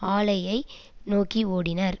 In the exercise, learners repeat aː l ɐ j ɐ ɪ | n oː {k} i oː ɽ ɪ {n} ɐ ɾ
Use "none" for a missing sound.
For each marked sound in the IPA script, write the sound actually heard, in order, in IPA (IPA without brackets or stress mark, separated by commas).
k, n